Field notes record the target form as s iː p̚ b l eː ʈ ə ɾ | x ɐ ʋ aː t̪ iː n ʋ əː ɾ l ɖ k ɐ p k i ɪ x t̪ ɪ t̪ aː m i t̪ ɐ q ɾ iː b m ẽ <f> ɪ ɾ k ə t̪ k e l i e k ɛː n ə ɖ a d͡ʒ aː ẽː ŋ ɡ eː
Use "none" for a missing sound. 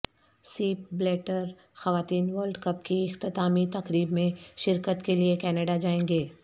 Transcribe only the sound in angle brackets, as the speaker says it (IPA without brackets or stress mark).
ʃ